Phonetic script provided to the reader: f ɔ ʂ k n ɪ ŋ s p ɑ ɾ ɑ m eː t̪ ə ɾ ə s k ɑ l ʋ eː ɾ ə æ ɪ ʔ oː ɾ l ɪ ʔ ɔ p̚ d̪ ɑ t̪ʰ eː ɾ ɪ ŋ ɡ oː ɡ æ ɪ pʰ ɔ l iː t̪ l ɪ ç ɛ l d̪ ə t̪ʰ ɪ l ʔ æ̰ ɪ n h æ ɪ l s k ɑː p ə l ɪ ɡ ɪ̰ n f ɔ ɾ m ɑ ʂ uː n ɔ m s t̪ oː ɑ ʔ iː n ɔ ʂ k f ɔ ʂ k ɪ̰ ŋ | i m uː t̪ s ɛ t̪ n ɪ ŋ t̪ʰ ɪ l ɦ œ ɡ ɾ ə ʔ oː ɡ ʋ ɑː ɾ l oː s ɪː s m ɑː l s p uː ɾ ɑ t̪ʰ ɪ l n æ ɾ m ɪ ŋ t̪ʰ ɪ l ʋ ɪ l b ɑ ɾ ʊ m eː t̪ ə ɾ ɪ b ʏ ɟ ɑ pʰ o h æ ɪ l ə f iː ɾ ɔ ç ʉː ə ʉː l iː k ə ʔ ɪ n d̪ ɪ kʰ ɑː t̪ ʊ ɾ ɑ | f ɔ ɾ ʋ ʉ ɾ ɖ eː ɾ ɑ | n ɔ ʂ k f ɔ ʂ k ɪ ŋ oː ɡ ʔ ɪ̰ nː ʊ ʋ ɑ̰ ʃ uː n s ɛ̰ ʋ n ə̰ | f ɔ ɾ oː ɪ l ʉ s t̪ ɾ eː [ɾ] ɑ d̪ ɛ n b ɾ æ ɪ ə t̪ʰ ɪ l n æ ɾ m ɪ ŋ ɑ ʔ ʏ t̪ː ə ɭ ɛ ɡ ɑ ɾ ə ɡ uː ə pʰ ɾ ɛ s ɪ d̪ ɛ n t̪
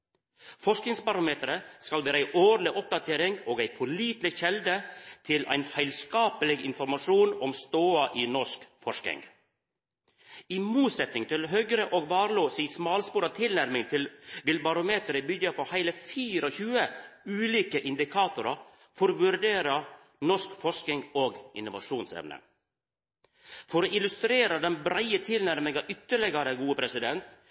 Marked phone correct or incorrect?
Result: correct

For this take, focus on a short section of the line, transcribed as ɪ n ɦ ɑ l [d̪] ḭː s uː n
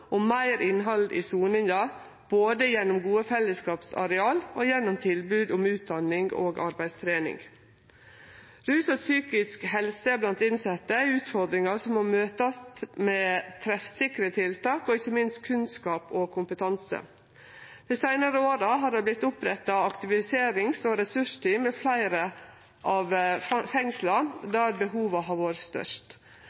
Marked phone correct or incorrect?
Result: correct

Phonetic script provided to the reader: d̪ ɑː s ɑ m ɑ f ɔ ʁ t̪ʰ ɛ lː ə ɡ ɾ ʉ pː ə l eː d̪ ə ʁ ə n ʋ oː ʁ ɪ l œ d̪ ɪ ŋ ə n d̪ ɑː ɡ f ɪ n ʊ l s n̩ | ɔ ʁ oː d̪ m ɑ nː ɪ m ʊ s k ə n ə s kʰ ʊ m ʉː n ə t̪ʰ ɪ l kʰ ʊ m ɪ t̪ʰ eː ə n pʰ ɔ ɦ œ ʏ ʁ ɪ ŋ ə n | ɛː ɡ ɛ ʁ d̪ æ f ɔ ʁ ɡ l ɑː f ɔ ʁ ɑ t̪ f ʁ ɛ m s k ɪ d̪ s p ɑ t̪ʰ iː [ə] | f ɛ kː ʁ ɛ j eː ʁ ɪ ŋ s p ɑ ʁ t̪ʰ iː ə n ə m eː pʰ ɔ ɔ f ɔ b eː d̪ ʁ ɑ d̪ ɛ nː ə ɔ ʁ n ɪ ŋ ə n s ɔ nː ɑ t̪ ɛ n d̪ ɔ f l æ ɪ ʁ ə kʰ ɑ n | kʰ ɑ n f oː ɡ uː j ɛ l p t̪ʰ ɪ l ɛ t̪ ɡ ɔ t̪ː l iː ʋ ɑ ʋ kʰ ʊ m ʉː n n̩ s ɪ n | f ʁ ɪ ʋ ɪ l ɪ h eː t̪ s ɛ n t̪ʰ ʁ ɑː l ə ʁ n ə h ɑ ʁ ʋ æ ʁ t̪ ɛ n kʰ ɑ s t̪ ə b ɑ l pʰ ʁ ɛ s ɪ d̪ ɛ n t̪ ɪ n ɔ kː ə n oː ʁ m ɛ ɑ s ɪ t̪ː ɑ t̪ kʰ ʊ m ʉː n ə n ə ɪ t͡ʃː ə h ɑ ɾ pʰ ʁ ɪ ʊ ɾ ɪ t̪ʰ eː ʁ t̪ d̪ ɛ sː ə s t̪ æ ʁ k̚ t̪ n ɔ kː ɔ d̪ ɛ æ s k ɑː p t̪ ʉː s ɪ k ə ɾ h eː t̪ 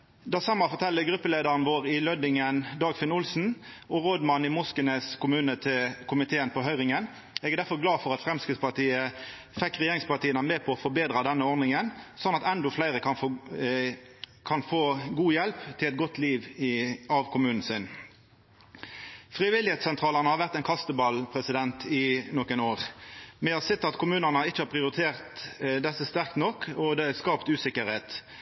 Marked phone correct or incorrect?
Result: correct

